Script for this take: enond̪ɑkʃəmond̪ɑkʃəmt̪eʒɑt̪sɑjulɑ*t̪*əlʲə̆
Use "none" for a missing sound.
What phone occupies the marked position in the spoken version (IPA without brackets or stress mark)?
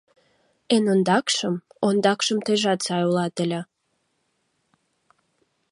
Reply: t̪